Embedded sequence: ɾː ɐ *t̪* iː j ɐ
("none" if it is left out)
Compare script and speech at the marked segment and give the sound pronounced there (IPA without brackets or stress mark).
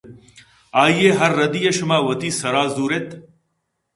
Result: d̪